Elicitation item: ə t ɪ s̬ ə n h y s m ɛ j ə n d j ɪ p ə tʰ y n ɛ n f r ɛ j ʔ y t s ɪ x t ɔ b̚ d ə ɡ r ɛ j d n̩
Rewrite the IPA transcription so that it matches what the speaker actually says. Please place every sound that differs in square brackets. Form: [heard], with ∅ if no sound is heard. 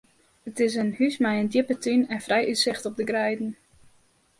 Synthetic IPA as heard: ə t ɪ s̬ ə n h y s m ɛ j ə n d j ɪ p ə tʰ y n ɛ n f r ɛ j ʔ y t s ɪ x t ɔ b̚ d ə ɡ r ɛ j d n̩